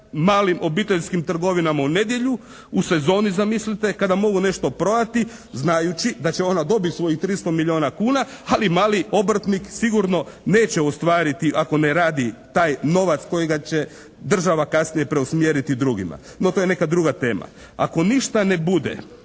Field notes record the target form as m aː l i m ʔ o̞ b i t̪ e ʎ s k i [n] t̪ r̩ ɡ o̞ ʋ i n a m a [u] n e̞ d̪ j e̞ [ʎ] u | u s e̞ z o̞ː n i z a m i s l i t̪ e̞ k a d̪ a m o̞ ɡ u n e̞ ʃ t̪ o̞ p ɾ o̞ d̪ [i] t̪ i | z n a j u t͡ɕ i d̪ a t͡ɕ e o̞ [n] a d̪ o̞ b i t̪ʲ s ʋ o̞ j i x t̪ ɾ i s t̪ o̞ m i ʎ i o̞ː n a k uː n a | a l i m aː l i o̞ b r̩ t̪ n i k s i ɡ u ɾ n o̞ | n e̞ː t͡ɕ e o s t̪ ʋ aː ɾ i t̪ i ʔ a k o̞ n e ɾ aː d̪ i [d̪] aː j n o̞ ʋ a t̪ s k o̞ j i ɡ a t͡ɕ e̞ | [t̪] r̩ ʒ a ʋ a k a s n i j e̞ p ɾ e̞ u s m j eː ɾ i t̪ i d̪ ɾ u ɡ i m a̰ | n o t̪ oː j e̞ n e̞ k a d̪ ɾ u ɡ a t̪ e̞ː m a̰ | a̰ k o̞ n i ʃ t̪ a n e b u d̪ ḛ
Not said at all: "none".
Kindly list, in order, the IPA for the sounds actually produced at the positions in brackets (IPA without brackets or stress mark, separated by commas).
m, u, ʎ, a, n, t̪, d̪